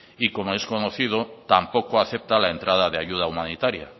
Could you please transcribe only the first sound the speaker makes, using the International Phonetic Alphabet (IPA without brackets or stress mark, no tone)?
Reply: i